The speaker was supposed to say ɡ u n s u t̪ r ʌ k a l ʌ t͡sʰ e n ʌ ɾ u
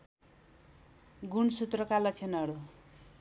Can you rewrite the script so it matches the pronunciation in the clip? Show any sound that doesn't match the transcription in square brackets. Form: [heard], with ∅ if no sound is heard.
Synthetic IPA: ɡ u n s u t̪ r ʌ k a l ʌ t͡sʰ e n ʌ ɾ u